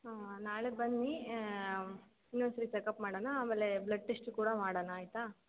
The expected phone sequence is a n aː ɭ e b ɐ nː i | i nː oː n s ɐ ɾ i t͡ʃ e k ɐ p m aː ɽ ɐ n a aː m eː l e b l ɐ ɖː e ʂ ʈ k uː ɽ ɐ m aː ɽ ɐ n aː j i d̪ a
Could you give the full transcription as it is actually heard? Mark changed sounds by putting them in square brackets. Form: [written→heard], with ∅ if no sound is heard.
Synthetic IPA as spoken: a n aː ɭ e b ɐ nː i | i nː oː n s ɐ ɾ i t͡ʃ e k ɐ p m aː ɽ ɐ n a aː m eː l e b l ɐ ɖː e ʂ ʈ k uː ɽ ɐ m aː ɽ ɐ n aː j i [d̪→t̪] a